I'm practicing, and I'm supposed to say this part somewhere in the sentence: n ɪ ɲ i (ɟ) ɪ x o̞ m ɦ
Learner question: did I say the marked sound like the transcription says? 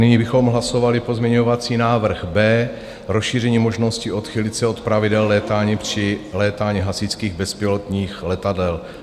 no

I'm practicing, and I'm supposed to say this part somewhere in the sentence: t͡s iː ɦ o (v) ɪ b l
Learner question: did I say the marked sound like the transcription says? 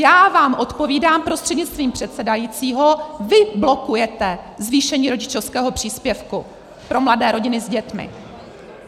yes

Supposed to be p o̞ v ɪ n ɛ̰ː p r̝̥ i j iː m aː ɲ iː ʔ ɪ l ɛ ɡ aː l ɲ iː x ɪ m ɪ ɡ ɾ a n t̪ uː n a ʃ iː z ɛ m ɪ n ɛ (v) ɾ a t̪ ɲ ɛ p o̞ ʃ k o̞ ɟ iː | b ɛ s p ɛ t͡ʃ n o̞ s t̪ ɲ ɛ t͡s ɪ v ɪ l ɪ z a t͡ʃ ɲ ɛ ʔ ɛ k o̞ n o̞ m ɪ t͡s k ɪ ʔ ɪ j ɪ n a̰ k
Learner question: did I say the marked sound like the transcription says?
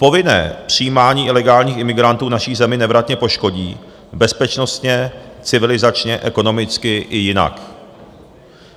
yes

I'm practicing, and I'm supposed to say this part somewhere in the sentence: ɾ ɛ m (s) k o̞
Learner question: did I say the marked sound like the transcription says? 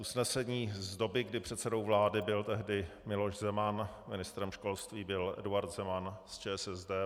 no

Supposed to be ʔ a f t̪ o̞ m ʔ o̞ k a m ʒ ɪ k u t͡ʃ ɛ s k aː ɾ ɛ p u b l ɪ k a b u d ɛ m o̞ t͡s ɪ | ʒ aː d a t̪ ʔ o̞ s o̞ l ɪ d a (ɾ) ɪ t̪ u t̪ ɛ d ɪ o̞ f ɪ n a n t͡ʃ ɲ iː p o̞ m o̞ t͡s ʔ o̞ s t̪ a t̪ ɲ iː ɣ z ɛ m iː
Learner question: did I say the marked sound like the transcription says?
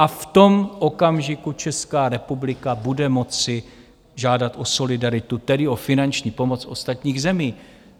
yes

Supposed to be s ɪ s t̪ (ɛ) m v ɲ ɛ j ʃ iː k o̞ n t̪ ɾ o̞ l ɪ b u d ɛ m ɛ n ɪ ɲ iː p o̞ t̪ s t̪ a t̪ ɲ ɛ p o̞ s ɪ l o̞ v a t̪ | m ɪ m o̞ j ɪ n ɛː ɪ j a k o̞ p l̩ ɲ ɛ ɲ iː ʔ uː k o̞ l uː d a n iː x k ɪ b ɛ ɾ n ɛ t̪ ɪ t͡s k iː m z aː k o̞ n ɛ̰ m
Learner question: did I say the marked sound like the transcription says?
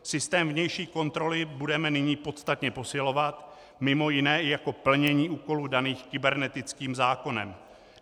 no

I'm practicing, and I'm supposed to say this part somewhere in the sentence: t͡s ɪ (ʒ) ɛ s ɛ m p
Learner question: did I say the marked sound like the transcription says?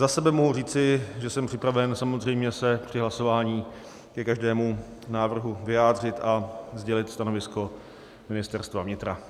yes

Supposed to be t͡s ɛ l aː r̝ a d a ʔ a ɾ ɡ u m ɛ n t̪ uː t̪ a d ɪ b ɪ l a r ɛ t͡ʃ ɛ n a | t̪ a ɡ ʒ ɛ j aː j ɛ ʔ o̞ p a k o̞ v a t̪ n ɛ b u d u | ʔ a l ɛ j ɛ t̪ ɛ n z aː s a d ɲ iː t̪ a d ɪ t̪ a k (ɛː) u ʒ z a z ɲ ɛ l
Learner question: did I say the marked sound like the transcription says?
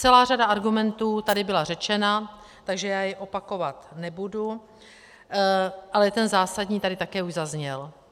yes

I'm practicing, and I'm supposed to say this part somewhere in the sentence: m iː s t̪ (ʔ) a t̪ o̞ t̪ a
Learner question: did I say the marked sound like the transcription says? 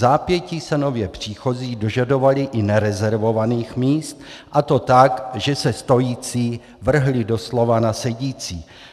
yes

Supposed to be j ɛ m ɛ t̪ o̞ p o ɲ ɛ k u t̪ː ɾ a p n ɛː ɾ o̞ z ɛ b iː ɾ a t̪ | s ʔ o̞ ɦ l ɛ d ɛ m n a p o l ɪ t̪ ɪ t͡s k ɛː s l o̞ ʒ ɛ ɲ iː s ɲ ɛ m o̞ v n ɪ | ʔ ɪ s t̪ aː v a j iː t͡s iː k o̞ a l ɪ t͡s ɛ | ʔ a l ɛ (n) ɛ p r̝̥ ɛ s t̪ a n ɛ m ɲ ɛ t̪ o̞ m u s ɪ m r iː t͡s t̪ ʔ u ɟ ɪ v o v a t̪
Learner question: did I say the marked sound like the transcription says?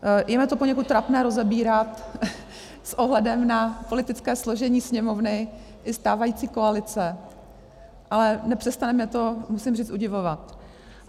yes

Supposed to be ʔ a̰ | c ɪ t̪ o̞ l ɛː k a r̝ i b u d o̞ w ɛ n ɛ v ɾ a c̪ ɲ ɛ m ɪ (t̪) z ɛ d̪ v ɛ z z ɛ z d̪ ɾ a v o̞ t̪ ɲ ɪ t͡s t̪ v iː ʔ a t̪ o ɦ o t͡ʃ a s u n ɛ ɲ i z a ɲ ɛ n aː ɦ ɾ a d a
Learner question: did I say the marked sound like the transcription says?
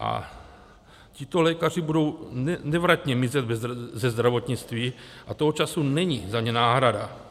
no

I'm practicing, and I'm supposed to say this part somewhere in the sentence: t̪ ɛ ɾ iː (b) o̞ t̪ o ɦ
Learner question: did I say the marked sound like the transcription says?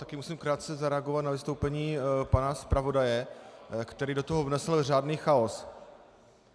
no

